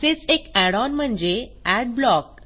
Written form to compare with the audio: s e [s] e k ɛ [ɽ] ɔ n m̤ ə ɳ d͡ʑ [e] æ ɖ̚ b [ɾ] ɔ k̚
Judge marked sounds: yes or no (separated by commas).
no, yes, yes, no